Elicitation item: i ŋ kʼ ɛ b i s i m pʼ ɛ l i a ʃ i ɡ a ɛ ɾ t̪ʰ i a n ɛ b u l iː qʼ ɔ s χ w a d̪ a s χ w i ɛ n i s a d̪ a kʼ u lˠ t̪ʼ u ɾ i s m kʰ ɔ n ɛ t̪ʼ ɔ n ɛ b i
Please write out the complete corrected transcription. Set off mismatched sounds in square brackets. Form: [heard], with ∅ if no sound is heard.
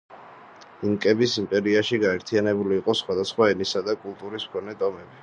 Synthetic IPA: i ŋ kʼ ɛ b i s i m pʼ ɛ [ɾ] i a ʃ i ɡ a ɛ ɾ t̪ʰ i a n ɛ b u l iː qʼ ɔ s χ w a d̪ a s χ w [a] ɛ n i s a d̪ a kʼ u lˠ t̪ʼ u ɾ i s m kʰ ɔ n ɛ t̪ʼ ɔ [m] ɛ b i